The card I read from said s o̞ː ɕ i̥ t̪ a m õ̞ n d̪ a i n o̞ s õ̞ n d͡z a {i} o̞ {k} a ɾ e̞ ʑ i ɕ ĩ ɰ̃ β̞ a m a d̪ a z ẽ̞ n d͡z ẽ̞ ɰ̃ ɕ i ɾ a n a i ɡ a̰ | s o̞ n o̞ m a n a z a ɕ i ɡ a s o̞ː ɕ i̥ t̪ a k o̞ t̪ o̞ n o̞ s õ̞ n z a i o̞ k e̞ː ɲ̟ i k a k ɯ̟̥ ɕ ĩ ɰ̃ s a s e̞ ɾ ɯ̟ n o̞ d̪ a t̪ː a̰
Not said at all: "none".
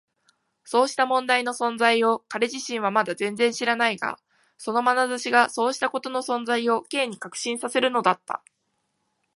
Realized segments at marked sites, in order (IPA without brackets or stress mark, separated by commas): i, k